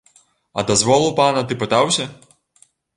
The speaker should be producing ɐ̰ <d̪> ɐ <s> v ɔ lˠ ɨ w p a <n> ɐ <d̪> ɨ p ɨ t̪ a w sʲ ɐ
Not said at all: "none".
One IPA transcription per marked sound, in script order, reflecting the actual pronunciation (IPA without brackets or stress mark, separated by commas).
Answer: d̪, z, n, t̪